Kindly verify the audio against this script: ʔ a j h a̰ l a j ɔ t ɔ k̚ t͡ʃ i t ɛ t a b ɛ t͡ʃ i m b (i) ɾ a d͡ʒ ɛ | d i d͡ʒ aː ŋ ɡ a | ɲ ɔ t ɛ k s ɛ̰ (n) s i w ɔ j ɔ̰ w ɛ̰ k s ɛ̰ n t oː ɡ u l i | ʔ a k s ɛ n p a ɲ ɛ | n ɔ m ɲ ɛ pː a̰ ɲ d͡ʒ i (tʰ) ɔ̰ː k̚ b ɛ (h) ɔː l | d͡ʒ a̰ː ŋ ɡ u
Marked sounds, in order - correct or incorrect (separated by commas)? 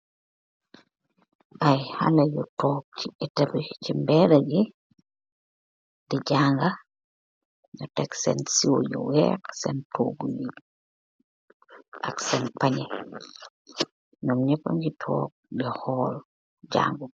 incorrect, correct, correct, correct